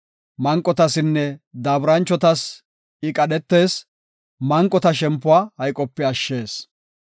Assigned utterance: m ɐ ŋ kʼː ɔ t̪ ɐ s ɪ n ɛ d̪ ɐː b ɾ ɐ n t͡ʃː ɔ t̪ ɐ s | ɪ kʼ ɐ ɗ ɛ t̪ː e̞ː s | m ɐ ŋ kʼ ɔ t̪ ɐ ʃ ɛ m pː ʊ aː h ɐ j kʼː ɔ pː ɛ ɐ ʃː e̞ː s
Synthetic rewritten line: m ɐ ŋ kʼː ɔ t̪ ɐ s ɪ nː ɛ d̪ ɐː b ɾ ɐ n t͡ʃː ɔ t̪ ɐ s | ɪ kʼ ɐ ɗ ɛ t̪ː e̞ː s | m ɐ ŋ kʼ ɔ t̪ ɐ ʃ ɛ m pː ʊ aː h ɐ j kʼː ɔ pː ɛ ɐ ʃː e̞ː s